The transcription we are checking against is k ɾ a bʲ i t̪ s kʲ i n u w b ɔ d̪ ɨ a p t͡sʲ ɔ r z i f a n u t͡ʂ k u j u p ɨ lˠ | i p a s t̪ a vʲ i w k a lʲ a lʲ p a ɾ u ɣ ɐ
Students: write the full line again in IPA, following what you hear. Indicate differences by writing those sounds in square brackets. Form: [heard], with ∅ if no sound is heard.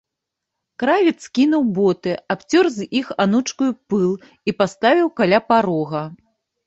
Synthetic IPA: k ɾ a [vʲ] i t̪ s kʲ i n u w b ɔ [t̪] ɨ a p t͡sʲ ɔ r z i [x] a n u t͡ʂ k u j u p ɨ lˠ | i p a s t̪ a vʲ i w k a lʲ a [∅] p a ɾ [ɔ] ɣ ɐ